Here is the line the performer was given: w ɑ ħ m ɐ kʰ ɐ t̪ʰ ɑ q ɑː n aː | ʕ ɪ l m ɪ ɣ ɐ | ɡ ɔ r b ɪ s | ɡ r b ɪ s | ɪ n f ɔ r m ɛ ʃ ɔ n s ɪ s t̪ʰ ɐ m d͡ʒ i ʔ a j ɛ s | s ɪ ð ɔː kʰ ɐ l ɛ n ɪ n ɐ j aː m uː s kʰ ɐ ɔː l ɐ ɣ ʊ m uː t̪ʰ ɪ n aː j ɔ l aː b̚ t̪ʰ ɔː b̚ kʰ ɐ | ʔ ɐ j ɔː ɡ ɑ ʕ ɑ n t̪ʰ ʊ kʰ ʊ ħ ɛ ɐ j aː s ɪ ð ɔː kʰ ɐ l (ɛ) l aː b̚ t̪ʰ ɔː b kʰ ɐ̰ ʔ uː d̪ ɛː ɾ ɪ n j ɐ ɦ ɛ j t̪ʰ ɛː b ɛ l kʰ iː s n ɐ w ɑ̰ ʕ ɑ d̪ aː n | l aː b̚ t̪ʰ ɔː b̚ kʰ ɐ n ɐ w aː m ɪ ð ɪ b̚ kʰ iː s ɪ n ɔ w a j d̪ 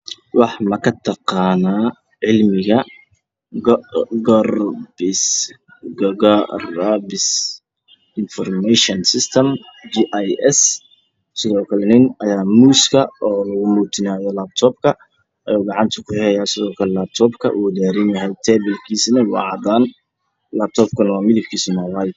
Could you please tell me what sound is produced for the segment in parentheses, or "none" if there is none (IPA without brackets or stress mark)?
ɛ